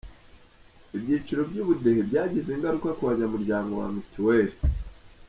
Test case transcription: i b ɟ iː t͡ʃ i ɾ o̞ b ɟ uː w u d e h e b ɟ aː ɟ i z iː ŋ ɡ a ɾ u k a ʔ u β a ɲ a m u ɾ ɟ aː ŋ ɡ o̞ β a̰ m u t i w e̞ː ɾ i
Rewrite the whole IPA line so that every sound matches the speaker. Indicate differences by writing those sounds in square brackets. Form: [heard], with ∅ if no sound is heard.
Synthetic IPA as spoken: i b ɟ iː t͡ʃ i ɾ o̞ b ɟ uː [β] u d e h e b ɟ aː ɟ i z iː ŋ ɡ a ɾ u k a [k] u β a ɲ a m u ɾ ɟ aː ŋ ɡ o̞ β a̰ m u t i w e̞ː ɾ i